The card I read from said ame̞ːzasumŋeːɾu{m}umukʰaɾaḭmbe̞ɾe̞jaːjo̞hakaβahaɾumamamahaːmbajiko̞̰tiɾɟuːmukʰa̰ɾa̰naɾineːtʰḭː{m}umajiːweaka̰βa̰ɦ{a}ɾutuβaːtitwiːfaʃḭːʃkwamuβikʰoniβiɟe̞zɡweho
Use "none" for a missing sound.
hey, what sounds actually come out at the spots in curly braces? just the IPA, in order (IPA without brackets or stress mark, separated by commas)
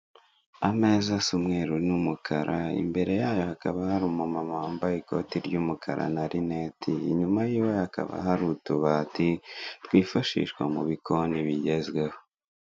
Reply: n, ɲ, a